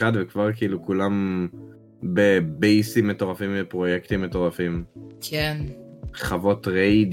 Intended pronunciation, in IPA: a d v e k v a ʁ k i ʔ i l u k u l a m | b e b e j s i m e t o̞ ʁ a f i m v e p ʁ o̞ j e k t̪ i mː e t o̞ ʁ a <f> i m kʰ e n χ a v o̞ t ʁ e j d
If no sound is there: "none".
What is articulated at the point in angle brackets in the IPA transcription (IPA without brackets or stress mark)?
f